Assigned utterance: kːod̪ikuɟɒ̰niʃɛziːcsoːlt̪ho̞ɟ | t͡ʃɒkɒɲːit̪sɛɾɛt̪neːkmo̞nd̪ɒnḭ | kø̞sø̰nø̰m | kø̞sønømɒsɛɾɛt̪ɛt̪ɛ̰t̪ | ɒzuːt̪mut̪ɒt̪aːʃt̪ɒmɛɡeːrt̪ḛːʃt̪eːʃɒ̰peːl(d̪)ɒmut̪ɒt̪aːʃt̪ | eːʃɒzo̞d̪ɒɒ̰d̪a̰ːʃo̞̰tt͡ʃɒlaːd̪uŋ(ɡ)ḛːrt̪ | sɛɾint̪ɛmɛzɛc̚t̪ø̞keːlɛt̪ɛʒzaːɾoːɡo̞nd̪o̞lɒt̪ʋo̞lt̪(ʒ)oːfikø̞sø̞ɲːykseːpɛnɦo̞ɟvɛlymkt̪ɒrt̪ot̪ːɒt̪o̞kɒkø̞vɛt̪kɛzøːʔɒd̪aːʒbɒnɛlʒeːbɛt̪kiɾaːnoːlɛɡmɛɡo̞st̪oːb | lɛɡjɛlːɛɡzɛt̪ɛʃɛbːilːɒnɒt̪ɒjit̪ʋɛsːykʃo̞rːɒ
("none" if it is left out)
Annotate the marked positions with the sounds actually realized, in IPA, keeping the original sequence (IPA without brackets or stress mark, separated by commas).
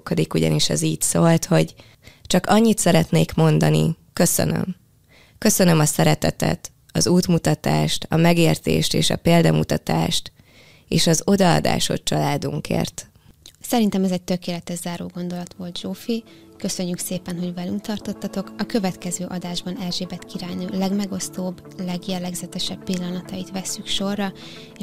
d̪, k, ʒ